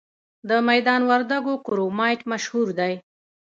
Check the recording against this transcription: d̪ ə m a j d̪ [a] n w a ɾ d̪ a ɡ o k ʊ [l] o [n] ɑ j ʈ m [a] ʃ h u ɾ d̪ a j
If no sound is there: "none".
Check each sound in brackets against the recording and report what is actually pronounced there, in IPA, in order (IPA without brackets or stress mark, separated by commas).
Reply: ɑ, ɾ, m, a